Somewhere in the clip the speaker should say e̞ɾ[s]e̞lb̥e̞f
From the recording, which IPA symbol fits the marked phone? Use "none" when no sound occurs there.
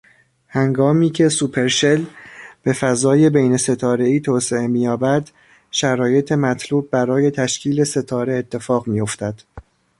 ʃ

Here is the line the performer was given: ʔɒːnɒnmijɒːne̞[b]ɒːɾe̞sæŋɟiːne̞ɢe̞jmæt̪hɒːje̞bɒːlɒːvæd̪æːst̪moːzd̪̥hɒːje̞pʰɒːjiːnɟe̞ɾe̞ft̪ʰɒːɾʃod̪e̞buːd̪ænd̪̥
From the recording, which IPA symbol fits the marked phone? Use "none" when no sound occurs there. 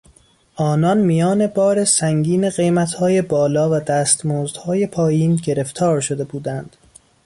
b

